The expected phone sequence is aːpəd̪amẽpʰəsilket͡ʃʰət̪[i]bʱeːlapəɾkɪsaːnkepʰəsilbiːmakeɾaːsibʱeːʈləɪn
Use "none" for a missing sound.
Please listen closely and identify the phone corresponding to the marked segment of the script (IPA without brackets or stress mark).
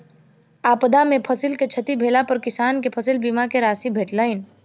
i